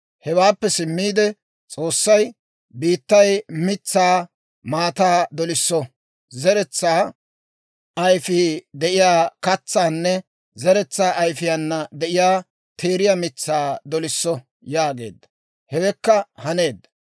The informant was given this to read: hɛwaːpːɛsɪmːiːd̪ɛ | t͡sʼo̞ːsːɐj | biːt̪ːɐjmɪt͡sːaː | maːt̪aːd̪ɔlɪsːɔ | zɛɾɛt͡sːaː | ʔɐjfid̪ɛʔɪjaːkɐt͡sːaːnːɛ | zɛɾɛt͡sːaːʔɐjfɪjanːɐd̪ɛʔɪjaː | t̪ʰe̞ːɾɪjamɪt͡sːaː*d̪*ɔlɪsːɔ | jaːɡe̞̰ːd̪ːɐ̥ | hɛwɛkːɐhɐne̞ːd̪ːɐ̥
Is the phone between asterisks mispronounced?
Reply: no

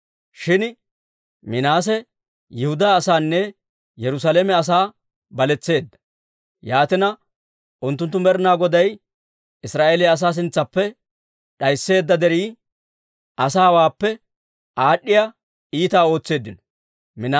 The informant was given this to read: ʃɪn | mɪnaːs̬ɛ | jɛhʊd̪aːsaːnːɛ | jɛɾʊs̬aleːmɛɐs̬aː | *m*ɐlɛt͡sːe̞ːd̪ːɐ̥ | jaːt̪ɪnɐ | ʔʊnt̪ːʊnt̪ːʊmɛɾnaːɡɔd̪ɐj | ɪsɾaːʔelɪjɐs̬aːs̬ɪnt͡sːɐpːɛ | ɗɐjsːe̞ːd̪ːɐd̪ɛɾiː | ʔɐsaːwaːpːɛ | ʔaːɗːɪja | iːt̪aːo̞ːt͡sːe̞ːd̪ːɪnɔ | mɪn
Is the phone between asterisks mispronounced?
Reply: yes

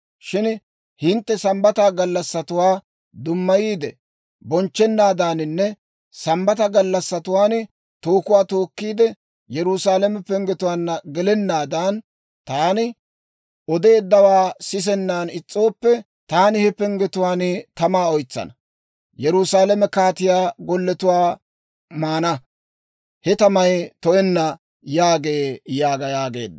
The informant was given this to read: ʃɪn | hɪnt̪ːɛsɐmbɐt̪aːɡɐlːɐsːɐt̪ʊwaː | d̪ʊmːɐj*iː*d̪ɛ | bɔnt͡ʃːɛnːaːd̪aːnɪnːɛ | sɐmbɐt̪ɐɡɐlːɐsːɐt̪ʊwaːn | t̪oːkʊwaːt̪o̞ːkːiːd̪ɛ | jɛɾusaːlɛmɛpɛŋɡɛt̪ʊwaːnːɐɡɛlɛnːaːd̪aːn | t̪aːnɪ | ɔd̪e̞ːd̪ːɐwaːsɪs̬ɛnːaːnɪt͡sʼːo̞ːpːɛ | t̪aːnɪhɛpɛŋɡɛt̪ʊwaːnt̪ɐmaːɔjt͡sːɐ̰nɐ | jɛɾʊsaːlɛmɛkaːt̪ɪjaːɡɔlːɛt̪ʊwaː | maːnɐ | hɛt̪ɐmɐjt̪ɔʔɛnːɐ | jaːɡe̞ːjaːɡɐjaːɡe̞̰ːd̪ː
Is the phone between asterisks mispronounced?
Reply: no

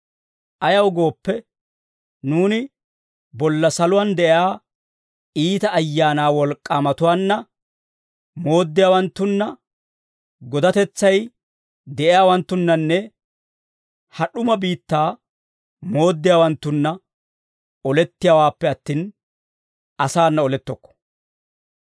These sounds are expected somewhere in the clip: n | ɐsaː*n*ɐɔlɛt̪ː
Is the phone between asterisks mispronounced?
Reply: yes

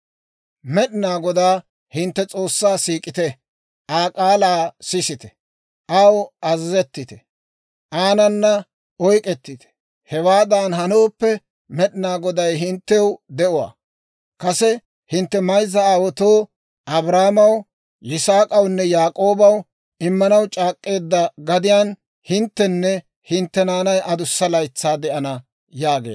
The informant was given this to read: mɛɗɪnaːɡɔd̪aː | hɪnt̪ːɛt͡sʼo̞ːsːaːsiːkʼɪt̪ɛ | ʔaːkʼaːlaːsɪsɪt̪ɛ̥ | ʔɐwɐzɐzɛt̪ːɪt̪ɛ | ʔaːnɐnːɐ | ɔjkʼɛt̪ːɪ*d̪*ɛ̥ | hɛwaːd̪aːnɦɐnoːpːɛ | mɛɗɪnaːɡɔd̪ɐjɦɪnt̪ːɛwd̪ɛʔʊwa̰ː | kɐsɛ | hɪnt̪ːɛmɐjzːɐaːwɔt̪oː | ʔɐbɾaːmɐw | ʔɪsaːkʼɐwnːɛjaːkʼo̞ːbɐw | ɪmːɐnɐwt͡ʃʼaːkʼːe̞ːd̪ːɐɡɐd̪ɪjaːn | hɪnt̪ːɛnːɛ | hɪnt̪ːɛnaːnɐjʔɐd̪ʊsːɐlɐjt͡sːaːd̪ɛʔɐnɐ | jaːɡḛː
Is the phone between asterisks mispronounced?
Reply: yes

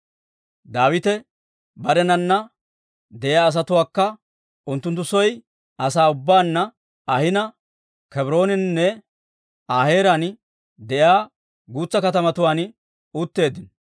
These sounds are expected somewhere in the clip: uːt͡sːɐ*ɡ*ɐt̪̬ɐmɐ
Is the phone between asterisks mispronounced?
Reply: yes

